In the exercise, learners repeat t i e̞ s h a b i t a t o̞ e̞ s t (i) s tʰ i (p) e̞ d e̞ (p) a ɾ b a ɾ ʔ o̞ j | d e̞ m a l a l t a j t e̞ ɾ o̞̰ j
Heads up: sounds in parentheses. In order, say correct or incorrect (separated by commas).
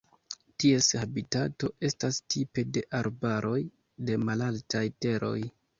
incorrect, correct, incorrect